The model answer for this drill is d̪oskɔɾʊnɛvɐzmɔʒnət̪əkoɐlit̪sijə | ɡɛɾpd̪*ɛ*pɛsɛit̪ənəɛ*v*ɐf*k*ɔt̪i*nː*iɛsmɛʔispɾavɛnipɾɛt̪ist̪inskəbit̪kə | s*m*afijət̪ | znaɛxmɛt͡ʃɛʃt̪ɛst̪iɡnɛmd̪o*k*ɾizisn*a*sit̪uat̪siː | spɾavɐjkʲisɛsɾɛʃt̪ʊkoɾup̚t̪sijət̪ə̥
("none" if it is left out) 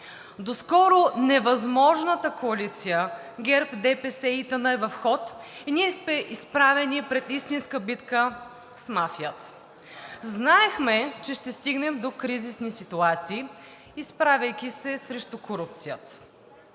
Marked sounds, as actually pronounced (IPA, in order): ɛ, v, x, n, m, k, i

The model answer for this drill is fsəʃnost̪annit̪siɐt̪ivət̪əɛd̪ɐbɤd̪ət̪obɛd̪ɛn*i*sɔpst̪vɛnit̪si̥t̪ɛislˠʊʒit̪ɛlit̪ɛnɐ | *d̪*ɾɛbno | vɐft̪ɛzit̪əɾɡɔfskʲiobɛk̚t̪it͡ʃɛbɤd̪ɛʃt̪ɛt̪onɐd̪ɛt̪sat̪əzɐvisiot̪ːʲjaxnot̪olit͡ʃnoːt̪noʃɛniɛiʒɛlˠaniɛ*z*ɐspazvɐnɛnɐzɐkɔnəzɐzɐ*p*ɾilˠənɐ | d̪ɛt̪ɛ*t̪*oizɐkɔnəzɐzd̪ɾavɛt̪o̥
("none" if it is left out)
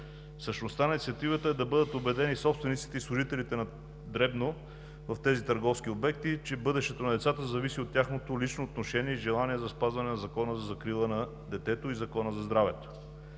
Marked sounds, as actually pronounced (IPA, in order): i, d̪, z, k, t̪

